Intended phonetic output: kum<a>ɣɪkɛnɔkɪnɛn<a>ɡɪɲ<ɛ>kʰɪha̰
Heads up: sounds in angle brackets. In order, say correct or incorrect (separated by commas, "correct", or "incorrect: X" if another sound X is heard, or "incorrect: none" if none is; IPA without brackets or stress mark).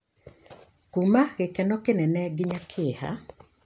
correct, incorrect: ɛ, incorrect: a